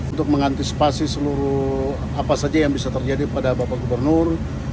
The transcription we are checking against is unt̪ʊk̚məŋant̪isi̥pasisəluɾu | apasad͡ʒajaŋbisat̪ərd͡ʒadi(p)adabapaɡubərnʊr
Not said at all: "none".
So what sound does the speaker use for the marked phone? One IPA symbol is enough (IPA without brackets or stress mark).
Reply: p